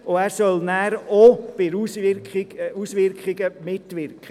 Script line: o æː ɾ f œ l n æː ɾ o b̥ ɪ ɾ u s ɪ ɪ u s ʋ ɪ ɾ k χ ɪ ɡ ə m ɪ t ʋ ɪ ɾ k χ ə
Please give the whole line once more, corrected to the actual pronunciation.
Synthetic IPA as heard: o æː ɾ s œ l n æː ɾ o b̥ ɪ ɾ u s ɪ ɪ u s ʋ ɪ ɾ k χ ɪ ɡ ə m ɪ t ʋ ɪ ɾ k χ ə